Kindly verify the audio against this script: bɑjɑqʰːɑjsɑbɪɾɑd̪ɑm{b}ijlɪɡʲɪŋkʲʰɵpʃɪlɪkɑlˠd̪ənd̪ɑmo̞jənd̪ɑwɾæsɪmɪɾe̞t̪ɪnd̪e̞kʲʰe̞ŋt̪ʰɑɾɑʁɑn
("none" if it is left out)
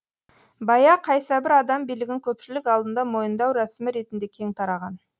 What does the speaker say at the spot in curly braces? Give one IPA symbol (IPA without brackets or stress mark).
b